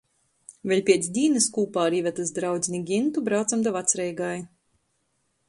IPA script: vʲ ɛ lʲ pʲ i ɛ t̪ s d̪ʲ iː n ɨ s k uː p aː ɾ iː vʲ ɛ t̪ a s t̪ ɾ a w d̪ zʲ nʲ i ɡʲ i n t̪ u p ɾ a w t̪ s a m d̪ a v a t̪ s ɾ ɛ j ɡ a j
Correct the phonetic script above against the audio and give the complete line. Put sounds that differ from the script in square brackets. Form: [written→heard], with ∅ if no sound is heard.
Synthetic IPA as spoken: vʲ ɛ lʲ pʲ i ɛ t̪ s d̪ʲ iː n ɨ s k uː p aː ɾ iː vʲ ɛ t̪ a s [t̪→d̪] ɾ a w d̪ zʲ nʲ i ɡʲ i n t̪ u [p→b] ɾ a w t̪ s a m d̪ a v a t̪ s ɾ ɛ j ɡ a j